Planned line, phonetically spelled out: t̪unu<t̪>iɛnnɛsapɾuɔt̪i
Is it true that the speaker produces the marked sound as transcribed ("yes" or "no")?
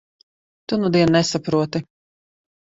no